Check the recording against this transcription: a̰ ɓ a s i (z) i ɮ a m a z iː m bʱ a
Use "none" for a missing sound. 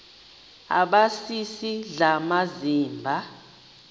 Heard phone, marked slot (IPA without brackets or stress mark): s